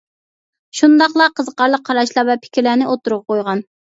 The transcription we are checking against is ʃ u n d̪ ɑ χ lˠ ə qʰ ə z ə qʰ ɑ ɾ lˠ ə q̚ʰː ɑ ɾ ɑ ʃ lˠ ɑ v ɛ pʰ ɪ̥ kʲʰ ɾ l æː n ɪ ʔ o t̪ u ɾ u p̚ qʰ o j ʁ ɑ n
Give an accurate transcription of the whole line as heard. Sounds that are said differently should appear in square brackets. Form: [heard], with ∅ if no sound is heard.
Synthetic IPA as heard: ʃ u n d̪ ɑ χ lˠ [ɑ] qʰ ə z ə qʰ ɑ ɾ lˠ ə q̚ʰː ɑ ɾ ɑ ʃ lˠ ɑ v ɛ pʰ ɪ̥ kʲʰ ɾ l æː n ɪ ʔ o t̪ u ɾ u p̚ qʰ o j ʁ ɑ n